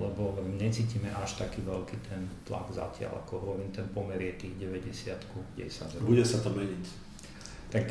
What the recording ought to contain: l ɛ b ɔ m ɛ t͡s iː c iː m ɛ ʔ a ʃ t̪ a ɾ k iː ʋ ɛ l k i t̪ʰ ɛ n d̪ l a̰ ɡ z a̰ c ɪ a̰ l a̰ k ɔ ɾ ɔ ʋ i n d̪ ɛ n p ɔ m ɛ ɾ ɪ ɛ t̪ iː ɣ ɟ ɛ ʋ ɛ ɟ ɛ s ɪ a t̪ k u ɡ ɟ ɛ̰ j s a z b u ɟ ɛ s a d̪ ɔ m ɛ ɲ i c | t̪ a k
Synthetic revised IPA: l ɛ b ɔ ɲ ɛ t͡s iː c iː m ɛ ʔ a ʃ t̪ a k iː ʋ ɛ l k i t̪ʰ ɛ n t̪ l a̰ ɡ z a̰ c ɪ a̰ l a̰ k ɔ ɾ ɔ ʋ i n t̪ ɛ n p ɔ m ɛ ɾ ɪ ɛ t̪ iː ɣ ɟ ɛ ʋ ɛ ɟ ɛ s ɪ a t̪ k u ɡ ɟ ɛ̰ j s a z b u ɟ ɛ s a t̪ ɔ m ɛ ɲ i c | t̪ a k